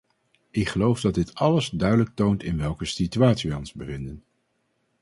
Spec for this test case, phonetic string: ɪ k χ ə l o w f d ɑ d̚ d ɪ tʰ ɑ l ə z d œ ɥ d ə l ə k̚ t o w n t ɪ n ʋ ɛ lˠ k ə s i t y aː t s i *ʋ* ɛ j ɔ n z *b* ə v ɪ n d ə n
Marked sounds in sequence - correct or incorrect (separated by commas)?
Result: correct, correct